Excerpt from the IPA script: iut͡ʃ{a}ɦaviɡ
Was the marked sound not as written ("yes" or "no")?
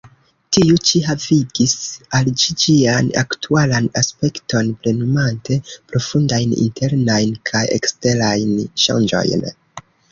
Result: yes